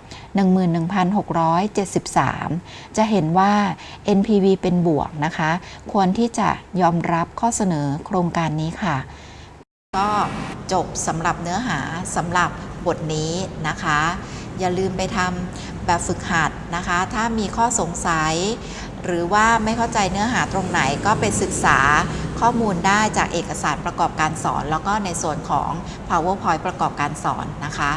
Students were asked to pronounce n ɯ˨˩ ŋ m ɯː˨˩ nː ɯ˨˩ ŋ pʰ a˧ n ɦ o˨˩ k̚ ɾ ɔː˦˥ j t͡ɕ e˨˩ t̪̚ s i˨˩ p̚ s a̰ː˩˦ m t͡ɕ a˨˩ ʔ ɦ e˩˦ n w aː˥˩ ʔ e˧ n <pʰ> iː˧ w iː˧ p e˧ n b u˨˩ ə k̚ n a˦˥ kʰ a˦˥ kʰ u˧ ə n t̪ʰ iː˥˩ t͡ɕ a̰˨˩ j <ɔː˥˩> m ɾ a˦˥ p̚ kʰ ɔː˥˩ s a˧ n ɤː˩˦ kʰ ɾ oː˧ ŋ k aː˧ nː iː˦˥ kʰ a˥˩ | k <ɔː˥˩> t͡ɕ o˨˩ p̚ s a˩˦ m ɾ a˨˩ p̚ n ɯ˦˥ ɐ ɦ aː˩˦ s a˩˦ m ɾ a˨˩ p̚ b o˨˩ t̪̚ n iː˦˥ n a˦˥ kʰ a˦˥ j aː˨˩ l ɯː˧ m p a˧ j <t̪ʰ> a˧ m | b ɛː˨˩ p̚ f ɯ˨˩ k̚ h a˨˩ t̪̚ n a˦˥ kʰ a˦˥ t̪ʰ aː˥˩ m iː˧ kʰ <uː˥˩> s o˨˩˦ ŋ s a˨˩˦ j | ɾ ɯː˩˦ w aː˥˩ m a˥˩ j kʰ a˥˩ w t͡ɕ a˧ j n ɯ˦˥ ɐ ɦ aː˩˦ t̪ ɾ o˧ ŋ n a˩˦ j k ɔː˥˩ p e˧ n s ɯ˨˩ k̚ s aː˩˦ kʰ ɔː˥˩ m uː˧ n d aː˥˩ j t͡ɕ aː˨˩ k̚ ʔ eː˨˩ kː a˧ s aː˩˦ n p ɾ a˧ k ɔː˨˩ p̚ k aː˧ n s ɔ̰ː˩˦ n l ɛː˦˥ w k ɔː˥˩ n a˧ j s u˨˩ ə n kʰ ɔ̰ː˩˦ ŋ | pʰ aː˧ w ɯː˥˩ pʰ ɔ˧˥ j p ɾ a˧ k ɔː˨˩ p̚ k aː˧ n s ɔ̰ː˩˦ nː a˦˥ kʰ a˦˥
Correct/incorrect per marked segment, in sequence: correct, incorrect: ɔː˧, correct, correct, incorrect: ɔː˥˩

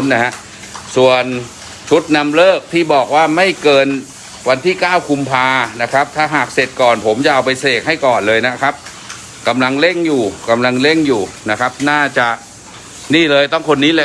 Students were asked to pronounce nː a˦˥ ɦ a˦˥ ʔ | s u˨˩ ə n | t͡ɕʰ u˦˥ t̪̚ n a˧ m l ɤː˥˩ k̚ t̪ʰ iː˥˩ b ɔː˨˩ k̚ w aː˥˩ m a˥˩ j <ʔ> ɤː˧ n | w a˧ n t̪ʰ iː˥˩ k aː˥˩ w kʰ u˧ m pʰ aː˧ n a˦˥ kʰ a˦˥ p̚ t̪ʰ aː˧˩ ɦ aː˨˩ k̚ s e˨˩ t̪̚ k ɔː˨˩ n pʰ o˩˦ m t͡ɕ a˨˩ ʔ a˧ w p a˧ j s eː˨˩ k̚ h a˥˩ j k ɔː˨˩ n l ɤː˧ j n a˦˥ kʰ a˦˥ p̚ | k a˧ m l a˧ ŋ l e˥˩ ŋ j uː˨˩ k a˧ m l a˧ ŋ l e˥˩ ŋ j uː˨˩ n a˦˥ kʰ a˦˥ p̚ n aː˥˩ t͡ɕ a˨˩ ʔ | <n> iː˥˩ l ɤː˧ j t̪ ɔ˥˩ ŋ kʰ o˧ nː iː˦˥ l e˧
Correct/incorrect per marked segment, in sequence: incorrect: k, correct

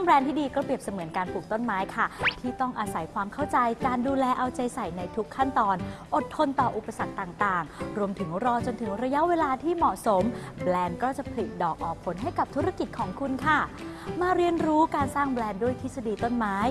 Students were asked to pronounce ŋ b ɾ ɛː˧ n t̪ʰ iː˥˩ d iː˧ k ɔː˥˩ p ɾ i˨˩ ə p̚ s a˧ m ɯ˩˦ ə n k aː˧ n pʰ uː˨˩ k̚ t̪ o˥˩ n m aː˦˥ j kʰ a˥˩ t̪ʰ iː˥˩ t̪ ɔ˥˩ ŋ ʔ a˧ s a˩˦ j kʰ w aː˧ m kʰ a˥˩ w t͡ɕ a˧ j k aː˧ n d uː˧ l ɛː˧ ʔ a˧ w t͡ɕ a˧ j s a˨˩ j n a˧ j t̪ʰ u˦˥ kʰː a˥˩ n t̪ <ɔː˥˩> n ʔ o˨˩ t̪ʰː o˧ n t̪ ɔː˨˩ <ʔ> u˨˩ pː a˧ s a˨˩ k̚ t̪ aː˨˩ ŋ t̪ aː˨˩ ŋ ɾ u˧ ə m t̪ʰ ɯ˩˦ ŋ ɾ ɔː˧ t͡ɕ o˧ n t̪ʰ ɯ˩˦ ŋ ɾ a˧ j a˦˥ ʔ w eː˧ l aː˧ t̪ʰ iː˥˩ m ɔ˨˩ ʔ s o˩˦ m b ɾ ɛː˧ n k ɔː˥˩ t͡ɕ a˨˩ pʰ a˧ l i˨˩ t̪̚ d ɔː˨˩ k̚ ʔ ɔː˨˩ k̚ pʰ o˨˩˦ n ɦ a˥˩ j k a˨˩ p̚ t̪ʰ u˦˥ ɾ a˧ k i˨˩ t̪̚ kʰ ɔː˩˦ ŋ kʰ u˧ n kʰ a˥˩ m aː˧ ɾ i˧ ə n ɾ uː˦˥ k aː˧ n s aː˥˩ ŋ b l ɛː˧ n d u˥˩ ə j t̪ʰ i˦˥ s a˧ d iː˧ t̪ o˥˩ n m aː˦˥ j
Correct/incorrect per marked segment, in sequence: incorrect: ɔː˧, correct

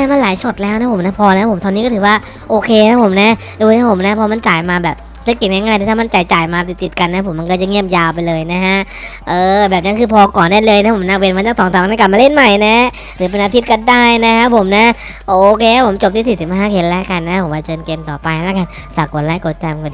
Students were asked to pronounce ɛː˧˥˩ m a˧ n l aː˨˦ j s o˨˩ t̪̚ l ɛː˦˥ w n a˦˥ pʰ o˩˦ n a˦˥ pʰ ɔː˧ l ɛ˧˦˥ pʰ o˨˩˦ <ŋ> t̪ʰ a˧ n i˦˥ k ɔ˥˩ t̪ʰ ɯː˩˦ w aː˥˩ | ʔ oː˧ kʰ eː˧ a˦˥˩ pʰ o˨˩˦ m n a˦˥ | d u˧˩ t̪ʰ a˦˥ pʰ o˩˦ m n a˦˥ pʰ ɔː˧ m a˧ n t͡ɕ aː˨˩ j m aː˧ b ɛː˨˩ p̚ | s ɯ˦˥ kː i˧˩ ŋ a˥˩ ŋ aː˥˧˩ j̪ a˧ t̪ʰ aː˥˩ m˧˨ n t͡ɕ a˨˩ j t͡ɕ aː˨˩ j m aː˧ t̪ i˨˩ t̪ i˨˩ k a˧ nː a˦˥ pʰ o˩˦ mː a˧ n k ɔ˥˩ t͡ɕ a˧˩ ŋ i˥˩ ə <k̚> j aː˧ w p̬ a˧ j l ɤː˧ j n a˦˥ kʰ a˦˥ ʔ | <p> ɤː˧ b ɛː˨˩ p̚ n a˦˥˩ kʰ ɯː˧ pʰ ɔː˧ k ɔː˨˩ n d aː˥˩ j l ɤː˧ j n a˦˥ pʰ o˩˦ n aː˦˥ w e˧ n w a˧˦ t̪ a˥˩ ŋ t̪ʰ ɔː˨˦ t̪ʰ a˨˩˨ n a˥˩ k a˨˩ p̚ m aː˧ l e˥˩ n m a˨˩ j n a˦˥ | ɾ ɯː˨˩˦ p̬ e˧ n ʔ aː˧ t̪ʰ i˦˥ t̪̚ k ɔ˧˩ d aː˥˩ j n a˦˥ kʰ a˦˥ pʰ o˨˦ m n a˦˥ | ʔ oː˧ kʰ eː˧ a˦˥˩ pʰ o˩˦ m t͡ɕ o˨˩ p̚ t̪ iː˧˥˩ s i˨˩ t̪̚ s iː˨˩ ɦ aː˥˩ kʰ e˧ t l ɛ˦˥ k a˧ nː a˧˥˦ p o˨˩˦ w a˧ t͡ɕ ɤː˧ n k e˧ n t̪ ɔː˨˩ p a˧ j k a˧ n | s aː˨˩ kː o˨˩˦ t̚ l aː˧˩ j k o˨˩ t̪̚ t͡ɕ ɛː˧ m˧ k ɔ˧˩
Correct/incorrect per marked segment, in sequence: incorrect: m, incorrect: p̚, incorrect: ʔ

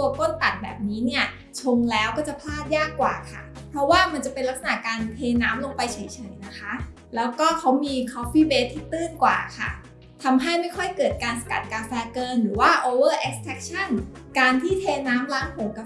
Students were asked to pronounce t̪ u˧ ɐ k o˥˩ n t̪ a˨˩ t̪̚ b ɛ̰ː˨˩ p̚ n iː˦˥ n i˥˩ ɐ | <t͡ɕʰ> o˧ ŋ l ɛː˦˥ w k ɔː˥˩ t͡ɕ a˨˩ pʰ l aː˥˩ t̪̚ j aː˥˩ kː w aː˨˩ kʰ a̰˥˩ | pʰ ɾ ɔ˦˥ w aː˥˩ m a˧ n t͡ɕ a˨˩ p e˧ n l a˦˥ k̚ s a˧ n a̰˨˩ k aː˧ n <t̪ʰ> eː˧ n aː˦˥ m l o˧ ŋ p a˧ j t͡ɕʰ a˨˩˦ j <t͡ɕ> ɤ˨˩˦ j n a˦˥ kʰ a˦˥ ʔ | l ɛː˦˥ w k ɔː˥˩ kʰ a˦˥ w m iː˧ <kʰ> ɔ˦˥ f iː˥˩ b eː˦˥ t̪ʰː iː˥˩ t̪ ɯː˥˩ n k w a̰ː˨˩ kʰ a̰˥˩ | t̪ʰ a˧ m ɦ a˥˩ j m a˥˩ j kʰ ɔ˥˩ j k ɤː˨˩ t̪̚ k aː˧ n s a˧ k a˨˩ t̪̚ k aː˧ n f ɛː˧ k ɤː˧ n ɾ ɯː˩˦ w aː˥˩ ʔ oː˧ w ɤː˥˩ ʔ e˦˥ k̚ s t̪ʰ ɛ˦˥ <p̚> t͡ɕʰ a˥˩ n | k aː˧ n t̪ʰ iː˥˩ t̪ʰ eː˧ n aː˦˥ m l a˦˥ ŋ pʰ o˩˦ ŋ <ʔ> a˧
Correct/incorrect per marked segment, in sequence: correct, correct, incorrect: t͡ɕʰ, correct, incorrect: k̚, incorrect: k

